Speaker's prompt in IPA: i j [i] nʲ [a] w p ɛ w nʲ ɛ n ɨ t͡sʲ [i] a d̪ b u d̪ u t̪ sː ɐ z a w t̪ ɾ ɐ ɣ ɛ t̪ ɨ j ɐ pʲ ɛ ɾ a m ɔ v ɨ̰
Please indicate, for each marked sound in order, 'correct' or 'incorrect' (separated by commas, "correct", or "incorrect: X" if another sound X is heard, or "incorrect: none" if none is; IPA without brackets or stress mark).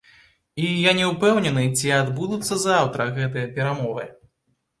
incorrect: a, incorrect: ɛ, correct